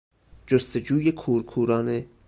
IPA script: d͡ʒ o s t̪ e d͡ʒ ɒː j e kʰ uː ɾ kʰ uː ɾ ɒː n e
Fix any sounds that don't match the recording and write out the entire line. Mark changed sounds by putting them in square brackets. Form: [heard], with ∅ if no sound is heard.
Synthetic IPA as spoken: d͡ʒ o s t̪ e d͡ʒ [uː] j e kʰ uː ɾ kʰ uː ɾ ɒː n e